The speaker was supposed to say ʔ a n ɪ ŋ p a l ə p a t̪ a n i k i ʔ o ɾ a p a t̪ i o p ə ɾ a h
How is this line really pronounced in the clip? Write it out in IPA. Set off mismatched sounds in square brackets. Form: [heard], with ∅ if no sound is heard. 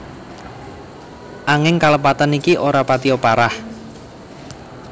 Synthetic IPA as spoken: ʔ a [ŋ] ɪ ŋ [k] a l ə p a t̪ a n i k i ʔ o ɾ a p a t̪ i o p [a] ɾ a h